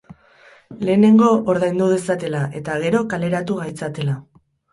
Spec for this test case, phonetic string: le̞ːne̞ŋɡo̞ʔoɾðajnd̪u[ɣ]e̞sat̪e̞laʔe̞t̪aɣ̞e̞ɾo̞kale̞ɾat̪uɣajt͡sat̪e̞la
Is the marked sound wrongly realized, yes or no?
yes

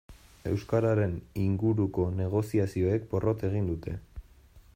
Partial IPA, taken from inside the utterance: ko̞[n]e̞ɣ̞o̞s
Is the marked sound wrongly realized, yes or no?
no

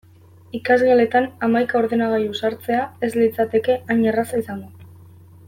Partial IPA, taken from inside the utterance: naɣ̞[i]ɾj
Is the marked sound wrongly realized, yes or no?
yes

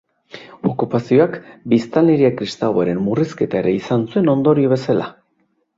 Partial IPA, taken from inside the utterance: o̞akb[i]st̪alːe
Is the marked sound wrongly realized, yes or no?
no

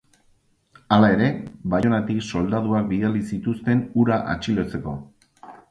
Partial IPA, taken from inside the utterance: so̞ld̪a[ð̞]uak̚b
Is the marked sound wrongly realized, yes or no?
no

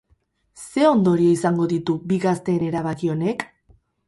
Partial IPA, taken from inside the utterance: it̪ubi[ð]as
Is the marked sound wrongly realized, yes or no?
yes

